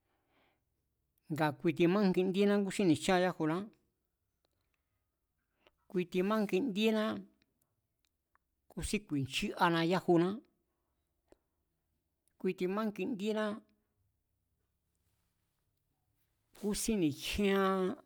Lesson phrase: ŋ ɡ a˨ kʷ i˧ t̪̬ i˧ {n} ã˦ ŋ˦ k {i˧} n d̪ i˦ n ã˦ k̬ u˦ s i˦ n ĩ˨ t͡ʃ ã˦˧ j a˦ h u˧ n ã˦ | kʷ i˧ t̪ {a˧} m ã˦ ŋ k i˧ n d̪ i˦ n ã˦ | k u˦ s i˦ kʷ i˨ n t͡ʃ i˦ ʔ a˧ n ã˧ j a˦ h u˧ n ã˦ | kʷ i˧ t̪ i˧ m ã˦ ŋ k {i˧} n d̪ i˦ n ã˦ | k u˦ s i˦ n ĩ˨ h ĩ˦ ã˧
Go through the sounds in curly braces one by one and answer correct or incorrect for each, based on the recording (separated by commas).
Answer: incorrect, correct, incorrect, correct